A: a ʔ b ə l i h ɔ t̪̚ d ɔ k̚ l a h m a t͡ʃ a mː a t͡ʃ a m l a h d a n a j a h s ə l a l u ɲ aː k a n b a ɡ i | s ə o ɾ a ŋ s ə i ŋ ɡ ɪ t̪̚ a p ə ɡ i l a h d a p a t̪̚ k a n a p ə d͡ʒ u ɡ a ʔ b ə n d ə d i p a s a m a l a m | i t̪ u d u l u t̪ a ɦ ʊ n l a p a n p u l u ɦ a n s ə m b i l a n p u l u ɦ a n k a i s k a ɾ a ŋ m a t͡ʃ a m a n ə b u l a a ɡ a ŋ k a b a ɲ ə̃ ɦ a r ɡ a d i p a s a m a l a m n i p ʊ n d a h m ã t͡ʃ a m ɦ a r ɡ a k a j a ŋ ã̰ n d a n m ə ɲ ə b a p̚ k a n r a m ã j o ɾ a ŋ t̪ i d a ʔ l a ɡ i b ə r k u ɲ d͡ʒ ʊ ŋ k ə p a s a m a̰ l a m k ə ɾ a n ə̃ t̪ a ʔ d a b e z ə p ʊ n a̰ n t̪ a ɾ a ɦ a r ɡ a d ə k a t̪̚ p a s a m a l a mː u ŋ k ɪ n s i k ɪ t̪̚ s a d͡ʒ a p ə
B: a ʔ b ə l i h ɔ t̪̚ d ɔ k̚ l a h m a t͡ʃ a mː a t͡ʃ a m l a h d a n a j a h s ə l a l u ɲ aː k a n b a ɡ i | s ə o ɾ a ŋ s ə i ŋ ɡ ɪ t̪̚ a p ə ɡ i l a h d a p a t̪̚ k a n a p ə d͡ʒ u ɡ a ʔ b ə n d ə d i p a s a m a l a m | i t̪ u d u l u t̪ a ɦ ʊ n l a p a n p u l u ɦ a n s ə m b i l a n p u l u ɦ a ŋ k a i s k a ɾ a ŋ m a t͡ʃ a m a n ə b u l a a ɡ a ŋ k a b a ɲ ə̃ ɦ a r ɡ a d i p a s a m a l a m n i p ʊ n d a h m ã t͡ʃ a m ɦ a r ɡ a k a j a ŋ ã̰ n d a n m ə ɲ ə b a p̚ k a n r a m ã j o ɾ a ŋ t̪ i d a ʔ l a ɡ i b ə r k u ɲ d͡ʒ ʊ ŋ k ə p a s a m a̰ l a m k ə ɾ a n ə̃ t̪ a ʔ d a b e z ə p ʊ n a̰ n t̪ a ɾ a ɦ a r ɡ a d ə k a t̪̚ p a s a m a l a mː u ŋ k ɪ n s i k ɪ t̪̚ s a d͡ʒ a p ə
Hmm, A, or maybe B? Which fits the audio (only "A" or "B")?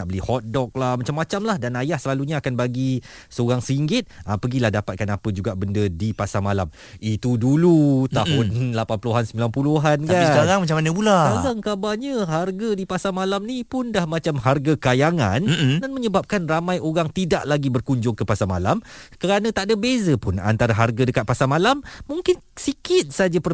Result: A